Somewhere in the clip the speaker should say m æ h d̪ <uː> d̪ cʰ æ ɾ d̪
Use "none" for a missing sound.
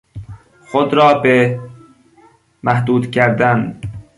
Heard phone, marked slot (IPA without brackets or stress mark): uː